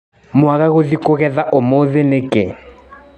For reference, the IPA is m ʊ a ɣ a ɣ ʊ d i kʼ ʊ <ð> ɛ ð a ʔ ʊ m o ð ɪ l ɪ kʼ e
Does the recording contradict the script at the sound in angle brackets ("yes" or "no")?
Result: yes